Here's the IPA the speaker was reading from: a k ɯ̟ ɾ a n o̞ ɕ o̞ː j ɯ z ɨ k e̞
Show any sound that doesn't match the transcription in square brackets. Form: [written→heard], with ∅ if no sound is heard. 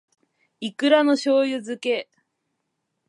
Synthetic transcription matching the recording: [a→i] k ɯ̟ ɾ a n o̞ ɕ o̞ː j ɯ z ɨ k e̞